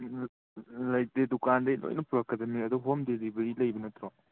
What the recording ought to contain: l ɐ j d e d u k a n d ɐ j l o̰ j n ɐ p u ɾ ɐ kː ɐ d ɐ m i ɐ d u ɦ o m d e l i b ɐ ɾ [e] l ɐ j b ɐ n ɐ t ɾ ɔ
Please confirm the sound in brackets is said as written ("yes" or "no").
no